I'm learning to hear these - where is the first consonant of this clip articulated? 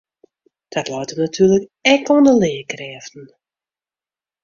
tongue tip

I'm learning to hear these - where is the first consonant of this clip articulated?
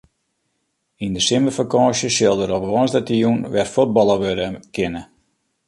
tongue tip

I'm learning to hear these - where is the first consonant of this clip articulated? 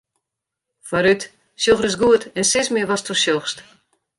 lips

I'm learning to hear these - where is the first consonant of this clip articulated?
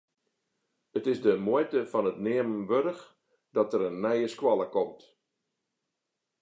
tongue tip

